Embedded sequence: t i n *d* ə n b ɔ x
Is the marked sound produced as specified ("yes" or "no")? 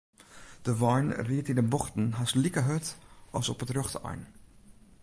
yes